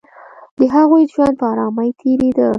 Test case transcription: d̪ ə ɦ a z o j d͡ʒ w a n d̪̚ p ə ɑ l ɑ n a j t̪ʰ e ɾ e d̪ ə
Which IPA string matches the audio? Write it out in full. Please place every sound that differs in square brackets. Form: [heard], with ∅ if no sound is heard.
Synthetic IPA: d̪ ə ɦ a [ɣ] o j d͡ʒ w a n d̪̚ p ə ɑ [ɾ] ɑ [m] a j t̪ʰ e ɾ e d̪ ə